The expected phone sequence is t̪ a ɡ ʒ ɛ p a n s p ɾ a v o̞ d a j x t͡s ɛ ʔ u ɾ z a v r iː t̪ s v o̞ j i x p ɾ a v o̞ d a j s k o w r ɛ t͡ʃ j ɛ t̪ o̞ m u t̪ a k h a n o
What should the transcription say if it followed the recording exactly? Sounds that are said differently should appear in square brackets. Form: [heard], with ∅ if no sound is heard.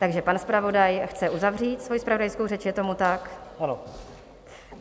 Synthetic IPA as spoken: t̪ a ɡ ʒ ɛ p a n s p ɾ a v o̞ d a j x t͡s ɛ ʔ u [∅] z a v r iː t̪ s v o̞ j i [s] p ɾ a v o̞ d a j s k o w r ɛ t͡ʃ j ɛ t̪ o̞ m u t̪ a k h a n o

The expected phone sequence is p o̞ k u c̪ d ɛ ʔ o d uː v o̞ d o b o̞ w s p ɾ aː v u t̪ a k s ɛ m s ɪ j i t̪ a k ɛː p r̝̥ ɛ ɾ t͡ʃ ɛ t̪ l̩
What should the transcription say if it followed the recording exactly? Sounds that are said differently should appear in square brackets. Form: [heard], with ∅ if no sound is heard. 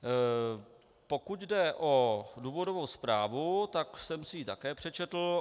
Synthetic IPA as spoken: p o̞ k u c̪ d ɛ ʔ o d uː v o̞ d o [v] o̞ w s p ɾ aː v u t̪ a k s ɛ m s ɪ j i t̪ a k ɛː p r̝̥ ɛ [∅] t͡ʃ ɛ t̪ l̩

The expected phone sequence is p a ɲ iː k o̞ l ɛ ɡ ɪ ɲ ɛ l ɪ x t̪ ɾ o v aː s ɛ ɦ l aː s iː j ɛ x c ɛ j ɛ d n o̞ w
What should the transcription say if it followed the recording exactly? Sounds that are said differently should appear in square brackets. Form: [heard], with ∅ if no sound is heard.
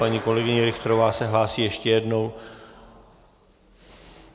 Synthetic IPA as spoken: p a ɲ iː k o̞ l ɛ ɡ ɪ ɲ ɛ [ɾ] ɪ x t̪ ɾ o v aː s ɛ ɦ l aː s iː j ɛ [ʃ] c ɛ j ɛ d n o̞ w

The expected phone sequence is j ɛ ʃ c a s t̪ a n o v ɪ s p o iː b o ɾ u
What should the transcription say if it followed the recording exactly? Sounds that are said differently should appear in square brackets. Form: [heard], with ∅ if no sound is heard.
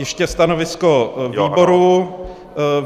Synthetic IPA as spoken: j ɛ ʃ c [ɛ] s t̪ a n o v ɪ s [k] o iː b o ɾ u

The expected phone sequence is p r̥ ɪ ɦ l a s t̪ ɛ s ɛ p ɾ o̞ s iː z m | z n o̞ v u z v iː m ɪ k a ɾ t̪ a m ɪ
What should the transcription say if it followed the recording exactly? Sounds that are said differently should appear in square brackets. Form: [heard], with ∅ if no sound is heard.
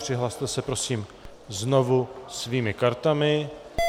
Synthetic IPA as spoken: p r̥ ɪ ɦ l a s t̪ ɛ s ɛ p ɾ o̞ s iː [∅] m | z n o̞ v u [s] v iː m ɪ k a ɾ t̪ a m ɪ

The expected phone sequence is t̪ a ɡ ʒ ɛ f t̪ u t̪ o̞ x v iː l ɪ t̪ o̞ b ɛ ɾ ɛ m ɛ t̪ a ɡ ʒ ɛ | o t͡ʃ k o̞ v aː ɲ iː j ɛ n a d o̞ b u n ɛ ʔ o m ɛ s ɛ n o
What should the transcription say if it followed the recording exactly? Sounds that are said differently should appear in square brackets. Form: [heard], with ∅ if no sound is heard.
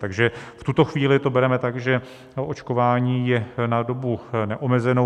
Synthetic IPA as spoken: t̪ a ɡ ʒ ɛ f t̪ u t̪ o̞ x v iː l ɪ t̪ o̞ b ɛ ɾ ɛ m ɛ t̪ a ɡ ʒ ɛ | o t͡ʃ k o̞ v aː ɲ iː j ɛ n a d o̞ b u n ɛ ʔ o m ɛ [z] ɛ n o

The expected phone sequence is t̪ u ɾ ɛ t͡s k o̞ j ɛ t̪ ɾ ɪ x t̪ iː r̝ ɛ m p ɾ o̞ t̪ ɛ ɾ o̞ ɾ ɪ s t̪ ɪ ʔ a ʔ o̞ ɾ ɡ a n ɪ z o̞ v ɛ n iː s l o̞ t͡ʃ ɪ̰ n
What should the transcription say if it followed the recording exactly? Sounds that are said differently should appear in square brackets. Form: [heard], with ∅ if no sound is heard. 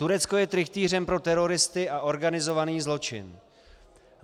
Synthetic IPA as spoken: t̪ u ɾ ɛ t͡s k o̞ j ɛ t̪ ɾ ɪ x t̪ iː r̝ ɛ m p ɾ o̞ t̪ ɛ ɾ o̞ ɾ ɪ s t̪ ɪ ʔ a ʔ o̞ ɾ ɡ a n ɪ z o̞ v [a] n iː [z] l o̞ t͡ʃ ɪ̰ n

